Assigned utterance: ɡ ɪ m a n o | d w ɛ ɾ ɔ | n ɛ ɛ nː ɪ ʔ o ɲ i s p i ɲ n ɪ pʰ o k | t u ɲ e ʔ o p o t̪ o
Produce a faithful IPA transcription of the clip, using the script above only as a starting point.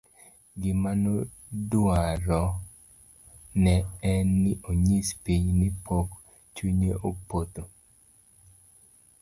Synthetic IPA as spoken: ɡ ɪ m a n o | d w a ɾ ɔ | n ɛ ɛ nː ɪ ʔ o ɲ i s p i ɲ n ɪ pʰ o k | t͡ʃ u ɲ e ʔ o p o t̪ o